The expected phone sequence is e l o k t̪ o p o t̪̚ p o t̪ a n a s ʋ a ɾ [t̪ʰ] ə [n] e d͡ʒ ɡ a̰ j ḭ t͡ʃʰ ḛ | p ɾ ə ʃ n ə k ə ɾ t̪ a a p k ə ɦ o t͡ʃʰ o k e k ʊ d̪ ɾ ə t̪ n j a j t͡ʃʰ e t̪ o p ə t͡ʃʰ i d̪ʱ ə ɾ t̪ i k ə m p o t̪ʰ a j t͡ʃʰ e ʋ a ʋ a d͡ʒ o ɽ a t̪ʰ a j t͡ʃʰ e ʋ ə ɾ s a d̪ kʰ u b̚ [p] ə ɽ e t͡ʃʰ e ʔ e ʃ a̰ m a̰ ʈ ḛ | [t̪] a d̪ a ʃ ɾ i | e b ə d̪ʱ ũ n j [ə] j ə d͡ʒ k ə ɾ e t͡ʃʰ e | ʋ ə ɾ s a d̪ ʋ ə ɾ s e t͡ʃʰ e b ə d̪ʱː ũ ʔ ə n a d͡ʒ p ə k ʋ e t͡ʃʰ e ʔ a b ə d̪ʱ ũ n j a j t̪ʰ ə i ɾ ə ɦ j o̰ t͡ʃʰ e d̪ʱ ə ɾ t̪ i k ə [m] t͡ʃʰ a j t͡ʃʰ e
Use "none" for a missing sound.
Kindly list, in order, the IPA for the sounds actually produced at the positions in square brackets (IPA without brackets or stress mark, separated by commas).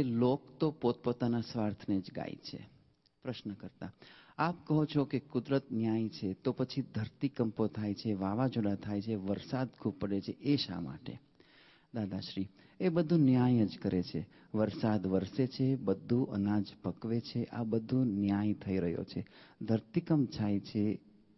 t̪ʰ, n, p, d̪, a, m